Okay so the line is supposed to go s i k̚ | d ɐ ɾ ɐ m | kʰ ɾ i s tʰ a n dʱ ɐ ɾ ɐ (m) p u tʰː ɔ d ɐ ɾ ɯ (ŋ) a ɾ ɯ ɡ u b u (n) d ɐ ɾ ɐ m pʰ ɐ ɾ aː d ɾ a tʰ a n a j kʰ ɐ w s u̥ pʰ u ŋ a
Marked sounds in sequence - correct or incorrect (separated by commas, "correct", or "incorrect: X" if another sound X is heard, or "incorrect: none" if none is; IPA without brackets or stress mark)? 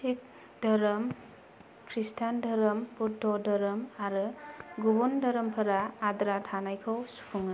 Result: correct, incorrect: m, correct